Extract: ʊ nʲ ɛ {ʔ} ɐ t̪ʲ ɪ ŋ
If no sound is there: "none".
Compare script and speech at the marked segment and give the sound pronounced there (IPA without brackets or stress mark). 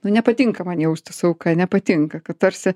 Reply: p